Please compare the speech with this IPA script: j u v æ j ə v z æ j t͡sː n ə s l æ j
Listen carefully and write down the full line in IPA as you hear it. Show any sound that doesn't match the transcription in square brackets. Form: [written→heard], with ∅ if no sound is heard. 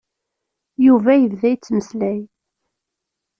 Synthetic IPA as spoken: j u v æ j ə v [z→ð] æ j t͡sː [n→m] ə s l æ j

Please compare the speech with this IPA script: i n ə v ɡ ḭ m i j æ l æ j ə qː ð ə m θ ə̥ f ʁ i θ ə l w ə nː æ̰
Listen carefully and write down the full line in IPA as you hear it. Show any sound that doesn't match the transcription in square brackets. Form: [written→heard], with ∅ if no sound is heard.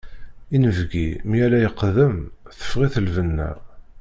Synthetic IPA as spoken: i n ə v ɡ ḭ m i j æ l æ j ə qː ð ə m θ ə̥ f ʁ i θ ə l [w→v] ə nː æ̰

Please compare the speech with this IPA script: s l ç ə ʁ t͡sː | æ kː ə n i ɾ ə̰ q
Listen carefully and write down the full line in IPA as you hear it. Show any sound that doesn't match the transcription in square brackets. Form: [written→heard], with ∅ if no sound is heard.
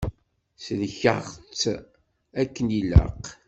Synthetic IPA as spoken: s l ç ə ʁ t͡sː | æ kː ə n i [ɾ→l] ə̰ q

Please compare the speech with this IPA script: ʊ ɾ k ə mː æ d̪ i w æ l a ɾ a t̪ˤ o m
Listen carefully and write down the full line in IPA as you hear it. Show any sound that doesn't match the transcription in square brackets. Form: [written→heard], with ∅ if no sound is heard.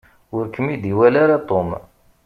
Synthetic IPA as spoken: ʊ ɾ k ə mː [æ→i] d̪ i w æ l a ɾ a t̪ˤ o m

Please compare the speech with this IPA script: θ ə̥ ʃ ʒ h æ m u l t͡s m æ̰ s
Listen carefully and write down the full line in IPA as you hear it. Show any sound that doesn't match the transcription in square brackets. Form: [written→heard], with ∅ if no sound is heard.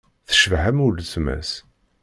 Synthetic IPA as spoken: θ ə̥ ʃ [ʒ→v] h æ m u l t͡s m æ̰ s

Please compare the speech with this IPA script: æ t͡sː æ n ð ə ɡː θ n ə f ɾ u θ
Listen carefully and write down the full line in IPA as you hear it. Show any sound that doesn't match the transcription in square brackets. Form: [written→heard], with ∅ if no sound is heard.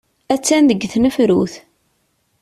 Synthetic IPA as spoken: æ t͡sː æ n ð ə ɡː θ n ə f ɾ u θ

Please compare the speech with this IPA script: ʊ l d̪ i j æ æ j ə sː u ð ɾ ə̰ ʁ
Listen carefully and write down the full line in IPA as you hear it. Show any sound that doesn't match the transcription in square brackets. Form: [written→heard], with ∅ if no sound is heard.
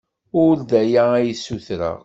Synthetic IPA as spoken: ʊ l d̪ [i→æ] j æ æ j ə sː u [ð→θ] ɾ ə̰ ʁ

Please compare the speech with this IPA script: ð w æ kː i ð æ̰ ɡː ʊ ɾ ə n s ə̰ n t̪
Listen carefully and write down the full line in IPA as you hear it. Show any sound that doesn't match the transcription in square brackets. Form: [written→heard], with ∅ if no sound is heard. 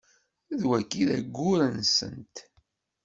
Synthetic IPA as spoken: ð w æ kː i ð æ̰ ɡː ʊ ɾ ə n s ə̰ n t̪

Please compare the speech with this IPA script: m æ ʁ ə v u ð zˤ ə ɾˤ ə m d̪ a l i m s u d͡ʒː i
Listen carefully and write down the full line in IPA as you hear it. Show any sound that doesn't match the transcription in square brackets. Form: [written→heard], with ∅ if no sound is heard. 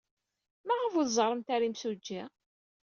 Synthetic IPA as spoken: m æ ʁ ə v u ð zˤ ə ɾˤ ə m [d̪→t̪] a [l→ɾ] i m s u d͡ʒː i

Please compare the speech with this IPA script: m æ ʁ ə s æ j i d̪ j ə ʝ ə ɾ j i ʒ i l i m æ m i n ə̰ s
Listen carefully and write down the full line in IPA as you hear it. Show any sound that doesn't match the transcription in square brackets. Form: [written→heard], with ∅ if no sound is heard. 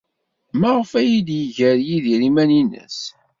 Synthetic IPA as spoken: m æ ʁ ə [s→f] æ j i d̪ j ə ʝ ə ɾ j i [ʒ→ð] i [l→ɾ] i m æ [m→n] i n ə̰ s

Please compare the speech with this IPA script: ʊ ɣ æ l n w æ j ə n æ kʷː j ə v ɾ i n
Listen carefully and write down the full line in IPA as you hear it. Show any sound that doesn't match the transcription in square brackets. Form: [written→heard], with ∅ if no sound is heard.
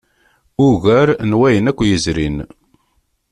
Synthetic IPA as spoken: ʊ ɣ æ [l→ɾ] n w æ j ə n æ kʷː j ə [v→z] ɾ i n

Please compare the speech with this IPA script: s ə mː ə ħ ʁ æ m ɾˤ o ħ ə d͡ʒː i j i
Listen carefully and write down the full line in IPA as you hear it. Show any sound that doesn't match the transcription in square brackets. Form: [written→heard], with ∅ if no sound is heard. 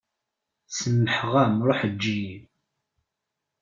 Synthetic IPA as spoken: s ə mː ə ħ ʁ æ m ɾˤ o ħ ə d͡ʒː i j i

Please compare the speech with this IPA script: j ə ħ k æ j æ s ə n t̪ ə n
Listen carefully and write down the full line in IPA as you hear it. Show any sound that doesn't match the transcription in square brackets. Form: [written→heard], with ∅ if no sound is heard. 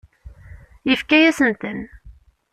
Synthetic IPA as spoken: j ə [ħ→f] k æ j æ s ə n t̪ ə n

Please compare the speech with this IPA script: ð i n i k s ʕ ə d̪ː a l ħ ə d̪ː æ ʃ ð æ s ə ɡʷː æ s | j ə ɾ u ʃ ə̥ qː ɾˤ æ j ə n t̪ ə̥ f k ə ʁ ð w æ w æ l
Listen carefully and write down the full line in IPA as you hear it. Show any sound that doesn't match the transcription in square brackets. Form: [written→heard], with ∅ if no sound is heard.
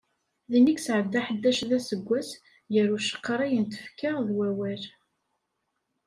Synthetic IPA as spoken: ð i n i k s ʕ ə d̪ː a [l→∅] ħ ə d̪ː æ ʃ ð æ s ə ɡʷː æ s | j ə ɾ u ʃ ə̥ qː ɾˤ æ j ə n t̪ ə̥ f k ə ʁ ð w æ w æ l

